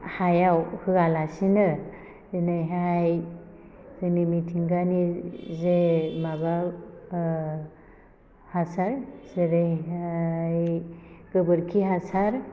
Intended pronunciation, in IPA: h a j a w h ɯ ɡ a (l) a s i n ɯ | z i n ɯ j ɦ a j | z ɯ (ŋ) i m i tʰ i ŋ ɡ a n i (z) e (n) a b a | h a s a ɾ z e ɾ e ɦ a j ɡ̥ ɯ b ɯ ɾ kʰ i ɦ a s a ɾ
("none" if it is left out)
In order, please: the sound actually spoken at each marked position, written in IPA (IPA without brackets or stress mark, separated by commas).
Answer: l, n, z, m